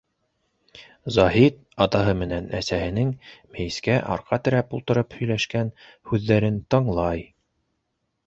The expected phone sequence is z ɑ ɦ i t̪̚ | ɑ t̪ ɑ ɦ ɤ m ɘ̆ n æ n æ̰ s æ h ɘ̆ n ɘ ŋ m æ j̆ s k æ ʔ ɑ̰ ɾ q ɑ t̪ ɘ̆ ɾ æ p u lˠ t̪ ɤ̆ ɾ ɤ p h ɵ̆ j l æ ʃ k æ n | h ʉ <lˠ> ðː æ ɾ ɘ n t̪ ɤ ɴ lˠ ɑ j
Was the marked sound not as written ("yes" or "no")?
yes